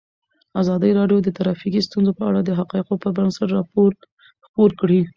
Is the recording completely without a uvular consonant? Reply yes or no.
no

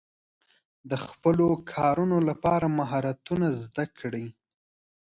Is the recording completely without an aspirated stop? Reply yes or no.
no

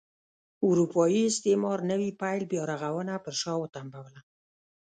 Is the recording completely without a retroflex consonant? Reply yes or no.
yes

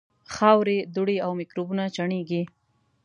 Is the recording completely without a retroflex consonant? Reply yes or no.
no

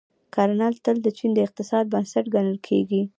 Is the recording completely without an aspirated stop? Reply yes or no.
no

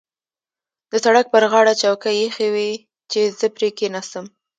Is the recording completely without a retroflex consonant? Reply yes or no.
no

